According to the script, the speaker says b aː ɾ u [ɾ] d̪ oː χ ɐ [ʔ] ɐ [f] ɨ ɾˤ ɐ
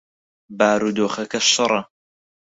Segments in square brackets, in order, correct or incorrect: incorrect, incorrect, incorrect

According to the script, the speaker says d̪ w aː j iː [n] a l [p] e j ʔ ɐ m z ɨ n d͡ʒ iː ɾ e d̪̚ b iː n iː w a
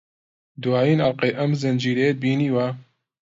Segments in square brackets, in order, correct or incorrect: correct, incorrect

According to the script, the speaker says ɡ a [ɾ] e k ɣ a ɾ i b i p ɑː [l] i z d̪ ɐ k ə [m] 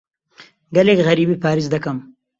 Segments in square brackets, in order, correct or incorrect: incorrect, incorrect, correct

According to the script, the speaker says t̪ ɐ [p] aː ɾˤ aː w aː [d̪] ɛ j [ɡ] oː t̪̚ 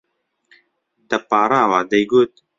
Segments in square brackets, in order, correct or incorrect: correct, correct, correct

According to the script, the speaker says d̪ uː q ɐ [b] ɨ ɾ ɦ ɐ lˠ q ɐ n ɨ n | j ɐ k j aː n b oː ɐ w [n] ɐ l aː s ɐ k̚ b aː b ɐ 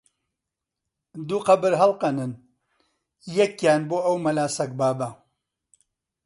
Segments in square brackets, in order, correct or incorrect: correct, incorrect

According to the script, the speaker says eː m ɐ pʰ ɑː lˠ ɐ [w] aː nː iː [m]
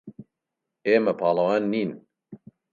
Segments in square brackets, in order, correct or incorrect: correct, incorrect

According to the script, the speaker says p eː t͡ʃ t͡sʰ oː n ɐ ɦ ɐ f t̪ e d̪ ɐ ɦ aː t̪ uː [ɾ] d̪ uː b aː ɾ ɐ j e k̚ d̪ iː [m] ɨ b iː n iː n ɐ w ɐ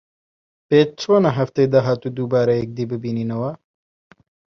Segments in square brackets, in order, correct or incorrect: incorrect, incorrect

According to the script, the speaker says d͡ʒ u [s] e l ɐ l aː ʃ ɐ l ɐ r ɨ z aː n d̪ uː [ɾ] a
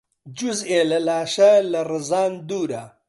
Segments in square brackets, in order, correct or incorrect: incorrect, correct

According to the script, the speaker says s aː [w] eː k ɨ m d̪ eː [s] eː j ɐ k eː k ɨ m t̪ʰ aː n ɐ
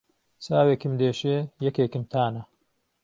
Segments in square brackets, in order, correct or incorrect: correct, incorrect

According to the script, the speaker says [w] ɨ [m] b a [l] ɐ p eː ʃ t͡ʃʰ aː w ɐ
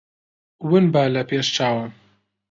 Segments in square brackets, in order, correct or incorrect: correct, incorrect, correct

